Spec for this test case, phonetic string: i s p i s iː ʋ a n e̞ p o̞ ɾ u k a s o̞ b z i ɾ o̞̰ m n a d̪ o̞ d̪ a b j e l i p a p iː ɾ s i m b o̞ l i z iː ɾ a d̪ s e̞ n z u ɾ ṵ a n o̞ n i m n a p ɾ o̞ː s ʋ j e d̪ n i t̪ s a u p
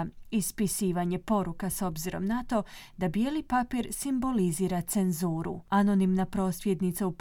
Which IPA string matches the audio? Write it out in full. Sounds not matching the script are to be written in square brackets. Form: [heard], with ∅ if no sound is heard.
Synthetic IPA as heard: i s p i s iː ʋ a [ɲ] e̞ p o̞ ɾ u k a s o̞ b z i ɾ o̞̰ m n a [t̪] o̞ d̪ a b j e l i p a p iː ɾ s i m b o̞ l i z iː ɾ a [t̪] s e̞ n z [uː] ɾ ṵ a n o̞ n i m n a p ɾ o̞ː s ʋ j e d̪ n i t̪ s a u p